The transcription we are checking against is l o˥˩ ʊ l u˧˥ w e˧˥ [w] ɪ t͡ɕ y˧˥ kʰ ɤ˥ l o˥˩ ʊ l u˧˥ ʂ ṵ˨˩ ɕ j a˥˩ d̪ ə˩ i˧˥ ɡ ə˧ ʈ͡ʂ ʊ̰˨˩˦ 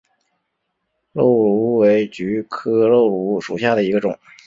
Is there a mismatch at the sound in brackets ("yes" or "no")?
yes